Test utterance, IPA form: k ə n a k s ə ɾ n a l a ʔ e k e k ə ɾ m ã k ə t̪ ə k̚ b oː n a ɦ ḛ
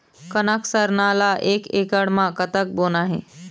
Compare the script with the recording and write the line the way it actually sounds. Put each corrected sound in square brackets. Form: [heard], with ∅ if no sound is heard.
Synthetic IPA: k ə n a k s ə ɾ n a l a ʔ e k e k ə [ɽ] m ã k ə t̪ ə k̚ b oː n a ɦ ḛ